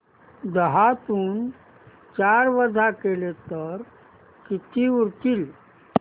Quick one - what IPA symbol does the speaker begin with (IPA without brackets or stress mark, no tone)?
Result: d̪